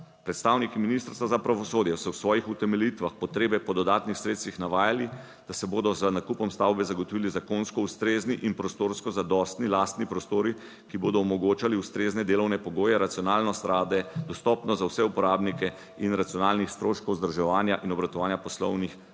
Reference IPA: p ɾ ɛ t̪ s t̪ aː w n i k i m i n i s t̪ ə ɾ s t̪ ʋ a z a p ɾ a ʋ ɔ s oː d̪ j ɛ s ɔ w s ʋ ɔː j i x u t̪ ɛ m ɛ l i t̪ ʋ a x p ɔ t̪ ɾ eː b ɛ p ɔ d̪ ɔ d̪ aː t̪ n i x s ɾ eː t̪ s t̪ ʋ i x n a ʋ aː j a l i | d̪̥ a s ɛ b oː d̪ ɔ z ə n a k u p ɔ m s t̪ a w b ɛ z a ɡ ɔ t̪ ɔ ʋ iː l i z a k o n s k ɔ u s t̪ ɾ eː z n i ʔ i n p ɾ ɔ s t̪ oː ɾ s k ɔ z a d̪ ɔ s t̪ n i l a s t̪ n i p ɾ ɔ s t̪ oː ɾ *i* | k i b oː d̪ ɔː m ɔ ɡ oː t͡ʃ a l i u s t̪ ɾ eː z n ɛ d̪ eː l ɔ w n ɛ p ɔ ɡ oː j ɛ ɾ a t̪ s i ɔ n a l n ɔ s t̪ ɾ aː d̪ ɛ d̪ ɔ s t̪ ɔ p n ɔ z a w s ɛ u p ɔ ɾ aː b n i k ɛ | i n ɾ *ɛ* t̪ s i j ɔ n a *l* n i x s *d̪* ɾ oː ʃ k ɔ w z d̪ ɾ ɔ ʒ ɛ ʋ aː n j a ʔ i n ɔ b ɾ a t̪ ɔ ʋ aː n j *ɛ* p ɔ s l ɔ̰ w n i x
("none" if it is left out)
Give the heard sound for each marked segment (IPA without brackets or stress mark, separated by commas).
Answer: i, a, l, t̪, a